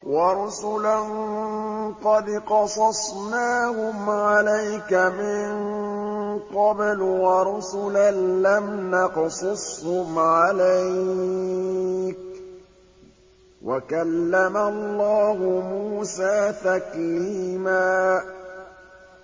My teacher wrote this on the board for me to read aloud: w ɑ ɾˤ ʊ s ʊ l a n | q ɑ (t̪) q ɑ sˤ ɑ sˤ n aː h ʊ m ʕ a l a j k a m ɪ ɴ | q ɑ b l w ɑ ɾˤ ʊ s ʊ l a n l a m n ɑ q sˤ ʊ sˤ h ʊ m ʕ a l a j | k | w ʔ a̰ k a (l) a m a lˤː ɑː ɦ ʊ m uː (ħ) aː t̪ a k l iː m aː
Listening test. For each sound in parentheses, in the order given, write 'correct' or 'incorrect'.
incorrect: d̪, incorrect: lː, incorrect: s

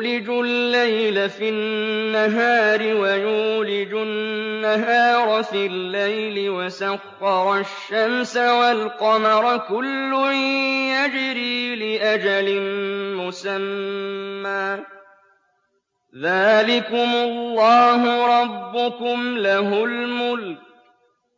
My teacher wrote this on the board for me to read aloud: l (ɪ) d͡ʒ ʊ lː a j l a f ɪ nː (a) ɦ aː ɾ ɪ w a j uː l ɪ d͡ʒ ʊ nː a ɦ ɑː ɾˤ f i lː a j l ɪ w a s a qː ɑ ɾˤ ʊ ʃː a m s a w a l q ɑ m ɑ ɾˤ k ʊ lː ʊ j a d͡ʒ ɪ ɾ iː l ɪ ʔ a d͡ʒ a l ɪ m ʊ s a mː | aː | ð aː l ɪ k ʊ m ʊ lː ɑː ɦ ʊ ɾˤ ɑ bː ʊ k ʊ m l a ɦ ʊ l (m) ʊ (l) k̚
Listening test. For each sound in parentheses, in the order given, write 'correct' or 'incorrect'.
correct, correct, correct, correct

